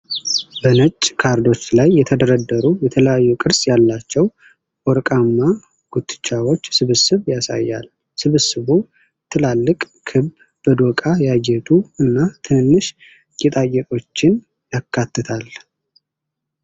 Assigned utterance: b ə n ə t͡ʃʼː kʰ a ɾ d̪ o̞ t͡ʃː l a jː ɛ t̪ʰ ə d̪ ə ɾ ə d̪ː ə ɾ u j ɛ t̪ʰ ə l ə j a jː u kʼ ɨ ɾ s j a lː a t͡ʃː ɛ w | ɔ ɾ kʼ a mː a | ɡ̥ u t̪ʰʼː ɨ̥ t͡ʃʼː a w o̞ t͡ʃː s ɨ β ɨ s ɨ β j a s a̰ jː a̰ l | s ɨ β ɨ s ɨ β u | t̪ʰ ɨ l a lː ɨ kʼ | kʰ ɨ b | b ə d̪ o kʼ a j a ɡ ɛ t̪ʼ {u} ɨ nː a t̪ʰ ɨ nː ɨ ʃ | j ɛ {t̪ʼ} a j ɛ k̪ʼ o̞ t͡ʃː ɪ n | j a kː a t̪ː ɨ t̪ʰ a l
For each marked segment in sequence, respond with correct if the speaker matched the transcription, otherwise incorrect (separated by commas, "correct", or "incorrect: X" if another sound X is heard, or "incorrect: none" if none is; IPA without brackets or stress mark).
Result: correct, correct